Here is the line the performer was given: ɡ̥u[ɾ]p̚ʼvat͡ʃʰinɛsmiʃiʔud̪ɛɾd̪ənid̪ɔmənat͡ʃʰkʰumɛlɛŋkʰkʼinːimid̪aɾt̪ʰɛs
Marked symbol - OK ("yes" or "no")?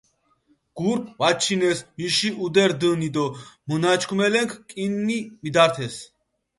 yes